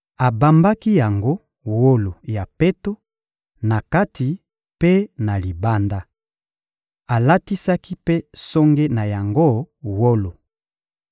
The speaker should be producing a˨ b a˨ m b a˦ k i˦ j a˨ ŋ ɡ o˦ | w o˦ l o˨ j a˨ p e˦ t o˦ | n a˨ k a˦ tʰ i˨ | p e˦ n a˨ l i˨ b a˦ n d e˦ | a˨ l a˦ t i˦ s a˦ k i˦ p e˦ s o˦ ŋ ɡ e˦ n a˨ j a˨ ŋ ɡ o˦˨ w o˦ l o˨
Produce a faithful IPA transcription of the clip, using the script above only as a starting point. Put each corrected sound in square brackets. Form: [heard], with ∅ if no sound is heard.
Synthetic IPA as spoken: a˨ b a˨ m b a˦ k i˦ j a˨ ŋ ɡ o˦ | w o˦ l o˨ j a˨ p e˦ t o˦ | n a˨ k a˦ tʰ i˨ | p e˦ n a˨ l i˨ b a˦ n d [a˦] | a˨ l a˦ t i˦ s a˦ k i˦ p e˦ s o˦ ŋ ɡ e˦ n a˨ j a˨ ŋ ɡ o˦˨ w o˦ l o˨